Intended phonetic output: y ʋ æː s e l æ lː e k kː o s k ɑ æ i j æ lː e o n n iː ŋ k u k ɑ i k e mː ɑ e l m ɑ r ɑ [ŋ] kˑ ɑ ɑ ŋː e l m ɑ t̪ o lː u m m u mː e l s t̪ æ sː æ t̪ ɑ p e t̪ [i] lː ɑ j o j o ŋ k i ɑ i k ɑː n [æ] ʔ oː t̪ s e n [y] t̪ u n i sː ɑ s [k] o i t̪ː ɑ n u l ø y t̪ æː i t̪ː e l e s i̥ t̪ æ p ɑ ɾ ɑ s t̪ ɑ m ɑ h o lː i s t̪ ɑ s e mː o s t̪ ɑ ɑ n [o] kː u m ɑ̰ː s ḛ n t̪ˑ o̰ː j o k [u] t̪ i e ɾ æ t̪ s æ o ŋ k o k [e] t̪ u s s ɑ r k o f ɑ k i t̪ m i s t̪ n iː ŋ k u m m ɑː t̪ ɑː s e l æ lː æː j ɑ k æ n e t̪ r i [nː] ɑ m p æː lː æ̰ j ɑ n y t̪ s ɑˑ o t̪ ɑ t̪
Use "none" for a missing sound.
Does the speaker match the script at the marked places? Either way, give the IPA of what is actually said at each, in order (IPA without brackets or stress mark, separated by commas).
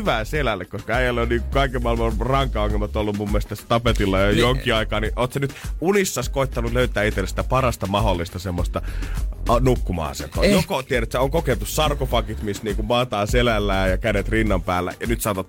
ŋ, i, i, y, k, u, o, e, nː